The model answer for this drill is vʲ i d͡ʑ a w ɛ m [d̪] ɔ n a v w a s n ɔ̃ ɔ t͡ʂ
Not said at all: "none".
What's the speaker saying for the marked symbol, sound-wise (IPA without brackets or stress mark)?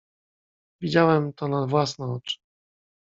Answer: t̪